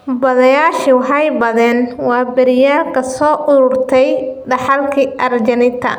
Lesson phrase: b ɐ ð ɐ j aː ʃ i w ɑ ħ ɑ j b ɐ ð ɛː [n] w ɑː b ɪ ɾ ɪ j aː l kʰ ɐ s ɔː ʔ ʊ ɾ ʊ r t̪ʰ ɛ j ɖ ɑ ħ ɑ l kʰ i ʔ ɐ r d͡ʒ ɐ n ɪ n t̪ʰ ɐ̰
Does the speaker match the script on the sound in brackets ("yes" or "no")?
yes